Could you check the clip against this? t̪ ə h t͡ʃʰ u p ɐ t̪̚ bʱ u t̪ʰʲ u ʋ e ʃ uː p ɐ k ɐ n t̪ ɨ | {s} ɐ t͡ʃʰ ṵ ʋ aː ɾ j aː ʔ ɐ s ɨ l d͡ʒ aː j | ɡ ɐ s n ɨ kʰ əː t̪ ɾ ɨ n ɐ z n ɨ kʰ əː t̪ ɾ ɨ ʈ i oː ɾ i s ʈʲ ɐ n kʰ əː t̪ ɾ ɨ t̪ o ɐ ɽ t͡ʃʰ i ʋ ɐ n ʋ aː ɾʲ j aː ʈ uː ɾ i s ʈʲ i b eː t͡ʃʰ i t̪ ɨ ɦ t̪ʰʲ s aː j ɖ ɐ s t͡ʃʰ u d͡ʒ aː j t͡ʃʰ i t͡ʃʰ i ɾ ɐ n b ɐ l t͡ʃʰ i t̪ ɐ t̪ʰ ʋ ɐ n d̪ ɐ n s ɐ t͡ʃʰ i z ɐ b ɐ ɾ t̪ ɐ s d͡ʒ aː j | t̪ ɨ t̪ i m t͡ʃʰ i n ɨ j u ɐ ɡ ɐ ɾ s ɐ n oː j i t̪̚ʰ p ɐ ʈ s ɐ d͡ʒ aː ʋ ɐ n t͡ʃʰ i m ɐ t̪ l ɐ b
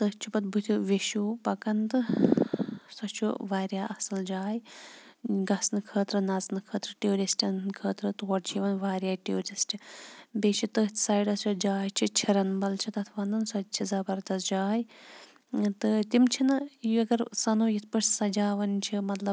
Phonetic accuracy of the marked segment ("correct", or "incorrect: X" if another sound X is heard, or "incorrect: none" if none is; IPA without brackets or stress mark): correct